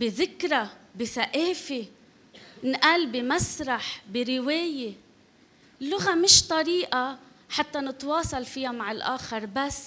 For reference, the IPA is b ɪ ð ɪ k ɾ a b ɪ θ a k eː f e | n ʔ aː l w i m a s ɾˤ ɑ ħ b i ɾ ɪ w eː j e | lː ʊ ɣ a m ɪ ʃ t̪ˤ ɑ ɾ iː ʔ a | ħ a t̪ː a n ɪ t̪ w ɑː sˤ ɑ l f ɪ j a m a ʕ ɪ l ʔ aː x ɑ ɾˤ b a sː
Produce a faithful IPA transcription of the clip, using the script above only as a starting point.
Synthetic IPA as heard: b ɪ ð ɪ k ɾ a b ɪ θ a ʔ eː f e | n ʔ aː l b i m a s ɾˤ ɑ ħ b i ɾ ɪ w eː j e | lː ʊ ɣ a m ɪ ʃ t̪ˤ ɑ ɾ iː ʔ a | ħ a t̪ː a n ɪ t̪ w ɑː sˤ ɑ l f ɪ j a m a ʕ ɪ l ʔ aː x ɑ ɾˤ b a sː